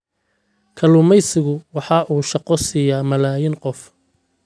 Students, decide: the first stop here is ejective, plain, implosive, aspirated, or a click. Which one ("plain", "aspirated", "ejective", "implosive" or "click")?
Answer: aspirated